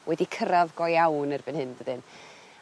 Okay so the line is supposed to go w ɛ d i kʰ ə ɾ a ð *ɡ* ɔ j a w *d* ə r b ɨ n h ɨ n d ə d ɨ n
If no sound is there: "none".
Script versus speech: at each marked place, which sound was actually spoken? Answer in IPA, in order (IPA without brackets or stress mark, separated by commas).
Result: ɡ, n